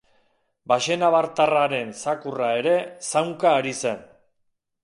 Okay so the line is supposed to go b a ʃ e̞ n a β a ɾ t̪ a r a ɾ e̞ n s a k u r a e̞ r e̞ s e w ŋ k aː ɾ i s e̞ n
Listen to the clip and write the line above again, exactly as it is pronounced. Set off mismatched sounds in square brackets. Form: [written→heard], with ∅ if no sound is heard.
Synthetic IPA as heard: b a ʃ e̞ n a β a ɾ t̪ a r a ɾ e̞ n s a k u r a e̞ [r→ɾ] e̞ s [e→a] w ŋ k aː ɾ i s e̞ n